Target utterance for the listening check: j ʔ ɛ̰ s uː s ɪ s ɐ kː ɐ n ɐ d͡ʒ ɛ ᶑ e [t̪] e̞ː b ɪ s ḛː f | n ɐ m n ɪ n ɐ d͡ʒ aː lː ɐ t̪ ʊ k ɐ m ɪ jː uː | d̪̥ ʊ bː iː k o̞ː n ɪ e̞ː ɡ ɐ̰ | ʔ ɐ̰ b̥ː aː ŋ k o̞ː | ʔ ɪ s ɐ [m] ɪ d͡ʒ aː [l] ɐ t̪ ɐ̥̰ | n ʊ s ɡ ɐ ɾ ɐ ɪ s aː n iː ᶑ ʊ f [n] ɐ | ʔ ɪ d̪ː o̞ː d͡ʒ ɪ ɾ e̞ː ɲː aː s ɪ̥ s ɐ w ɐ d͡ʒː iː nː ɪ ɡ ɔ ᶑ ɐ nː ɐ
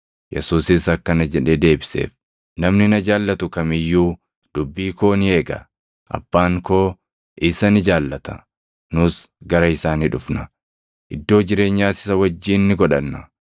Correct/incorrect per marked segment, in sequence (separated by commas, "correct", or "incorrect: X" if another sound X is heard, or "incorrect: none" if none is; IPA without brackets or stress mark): incorrect: d̪, incorrect: n, incorrect: lː, correct